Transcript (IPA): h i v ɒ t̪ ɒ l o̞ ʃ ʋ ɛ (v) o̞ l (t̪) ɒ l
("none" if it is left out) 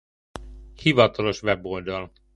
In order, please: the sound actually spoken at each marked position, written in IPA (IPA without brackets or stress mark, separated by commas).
b, d̪